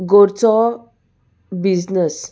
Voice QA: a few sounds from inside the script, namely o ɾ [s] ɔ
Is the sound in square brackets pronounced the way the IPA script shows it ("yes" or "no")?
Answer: no